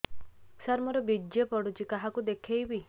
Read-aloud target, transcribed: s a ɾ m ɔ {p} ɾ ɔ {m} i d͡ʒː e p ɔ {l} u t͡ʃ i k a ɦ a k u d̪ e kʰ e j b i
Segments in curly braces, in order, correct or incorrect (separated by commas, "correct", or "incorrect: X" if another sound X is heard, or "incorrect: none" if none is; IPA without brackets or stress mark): incorrect: none, incorrect: b, incorrect: ɽ